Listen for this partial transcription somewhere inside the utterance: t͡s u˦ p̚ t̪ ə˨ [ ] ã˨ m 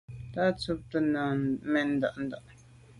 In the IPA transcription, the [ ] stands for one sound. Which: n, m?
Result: n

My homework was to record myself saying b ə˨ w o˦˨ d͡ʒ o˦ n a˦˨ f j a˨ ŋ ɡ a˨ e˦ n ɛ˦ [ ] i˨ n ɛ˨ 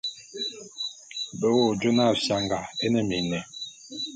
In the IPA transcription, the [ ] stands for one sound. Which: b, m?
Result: m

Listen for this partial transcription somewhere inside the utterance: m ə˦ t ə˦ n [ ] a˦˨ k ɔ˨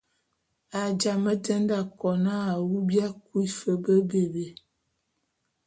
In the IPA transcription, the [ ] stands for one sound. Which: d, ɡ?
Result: d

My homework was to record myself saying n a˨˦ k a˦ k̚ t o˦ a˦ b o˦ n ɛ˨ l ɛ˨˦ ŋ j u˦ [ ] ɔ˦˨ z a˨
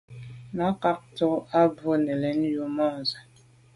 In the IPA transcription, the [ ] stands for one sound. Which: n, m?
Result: m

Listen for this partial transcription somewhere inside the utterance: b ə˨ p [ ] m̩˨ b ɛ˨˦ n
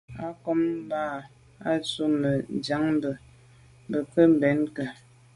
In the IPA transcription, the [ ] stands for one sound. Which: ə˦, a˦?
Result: ə˦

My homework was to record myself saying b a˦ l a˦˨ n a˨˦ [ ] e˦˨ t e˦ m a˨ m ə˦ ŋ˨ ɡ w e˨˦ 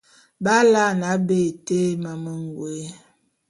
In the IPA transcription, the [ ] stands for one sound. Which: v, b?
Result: b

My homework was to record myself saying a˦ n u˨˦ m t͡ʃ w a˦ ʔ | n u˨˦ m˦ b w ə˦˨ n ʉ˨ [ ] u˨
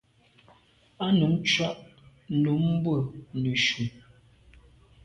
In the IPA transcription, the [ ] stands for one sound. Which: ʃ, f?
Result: ʃ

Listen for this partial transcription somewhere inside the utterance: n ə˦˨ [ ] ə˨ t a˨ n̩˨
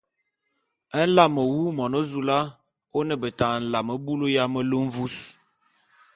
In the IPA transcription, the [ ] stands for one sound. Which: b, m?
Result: b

